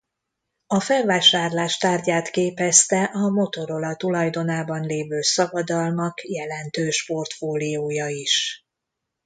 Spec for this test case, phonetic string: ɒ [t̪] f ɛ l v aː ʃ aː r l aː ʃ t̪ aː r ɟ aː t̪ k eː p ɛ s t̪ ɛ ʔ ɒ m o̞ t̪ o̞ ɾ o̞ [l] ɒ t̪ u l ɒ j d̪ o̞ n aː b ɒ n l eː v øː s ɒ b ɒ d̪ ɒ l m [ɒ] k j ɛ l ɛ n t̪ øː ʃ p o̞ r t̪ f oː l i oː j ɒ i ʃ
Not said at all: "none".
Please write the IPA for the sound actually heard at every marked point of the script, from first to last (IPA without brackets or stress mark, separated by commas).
none, l, ɒ